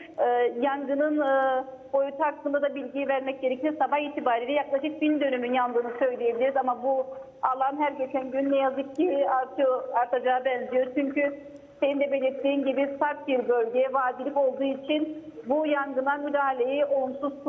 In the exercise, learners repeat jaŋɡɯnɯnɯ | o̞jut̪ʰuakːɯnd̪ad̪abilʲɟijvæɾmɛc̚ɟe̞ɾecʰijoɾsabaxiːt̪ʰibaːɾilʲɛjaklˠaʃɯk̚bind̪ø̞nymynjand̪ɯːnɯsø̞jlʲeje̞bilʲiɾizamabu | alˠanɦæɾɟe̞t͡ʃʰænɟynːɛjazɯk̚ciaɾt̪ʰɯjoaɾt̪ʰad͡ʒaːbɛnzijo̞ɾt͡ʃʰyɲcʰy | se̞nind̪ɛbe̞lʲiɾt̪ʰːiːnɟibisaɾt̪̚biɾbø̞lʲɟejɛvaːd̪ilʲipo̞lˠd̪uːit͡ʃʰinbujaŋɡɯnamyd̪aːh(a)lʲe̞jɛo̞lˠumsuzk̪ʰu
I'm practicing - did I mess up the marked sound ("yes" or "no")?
no